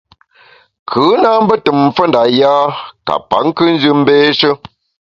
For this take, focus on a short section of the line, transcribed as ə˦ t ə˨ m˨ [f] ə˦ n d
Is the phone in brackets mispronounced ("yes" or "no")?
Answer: no